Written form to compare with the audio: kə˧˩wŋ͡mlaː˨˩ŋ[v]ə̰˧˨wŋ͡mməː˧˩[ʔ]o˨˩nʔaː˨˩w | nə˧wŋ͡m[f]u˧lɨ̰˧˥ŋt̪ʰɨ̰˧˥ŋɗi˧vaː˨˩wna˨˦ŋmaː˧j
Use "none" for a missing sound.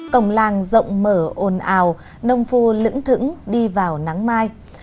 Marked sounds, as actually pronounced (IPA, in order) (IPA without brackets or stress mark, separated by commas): z, ʔ, f